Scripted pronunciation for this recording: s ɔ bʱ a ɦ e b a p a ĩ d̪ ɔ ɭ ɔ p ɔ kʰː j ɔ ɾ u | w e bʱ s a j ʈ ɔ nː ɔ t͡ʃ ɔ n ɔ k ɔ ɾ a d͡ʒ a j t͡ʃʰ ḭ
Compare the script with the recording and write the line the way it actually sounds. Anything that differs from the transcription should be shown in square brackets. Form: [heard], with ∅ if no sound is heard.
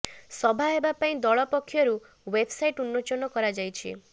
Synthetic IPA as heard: s ɔ bʱ a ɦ e b a p a ĩ d̪ ɔ ɭ ɔ p ɔ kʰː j ɔ ɾ u | w e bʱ s a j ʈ [u] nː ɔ t͡ʃ ɔ n ɔ k ɔ ɾ a d͡ʒ a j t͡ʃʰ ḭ

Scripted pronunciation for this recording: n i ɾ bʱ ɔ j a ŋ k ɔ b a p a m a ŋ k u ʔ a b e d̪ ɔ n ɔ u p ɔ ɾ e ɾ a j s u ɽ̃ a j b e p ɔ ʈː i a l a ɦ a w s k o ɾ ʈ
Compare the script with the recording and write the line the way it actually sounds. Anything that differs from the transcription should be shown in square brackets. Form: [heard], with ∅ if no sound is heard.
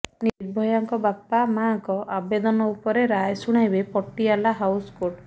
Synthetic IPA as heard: n i ɾ bʱ ɔ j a ŋ k ɔ b a p a m a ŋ k [ɔ] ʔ a b e d̪ ɔ n ɔ u p ɔ ɾ e ɾ a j s u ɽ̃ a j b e p ɔ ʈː i a l a ɦ a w s k o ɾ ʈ

